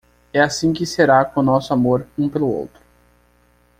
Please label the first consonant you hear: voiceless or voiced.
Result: voiceless